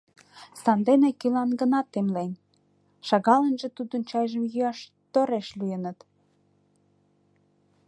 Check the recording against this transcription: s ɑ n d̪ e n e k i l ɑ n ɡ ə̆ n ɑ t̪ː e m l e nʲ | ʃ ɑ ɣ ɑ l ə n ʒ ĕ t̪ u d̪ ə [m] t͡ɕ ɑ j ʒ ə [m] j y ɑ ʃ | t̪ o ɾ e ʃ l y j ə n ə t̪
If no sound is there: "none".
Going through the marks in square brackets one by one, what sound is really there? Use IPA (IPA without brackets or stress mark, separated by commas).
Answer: n, m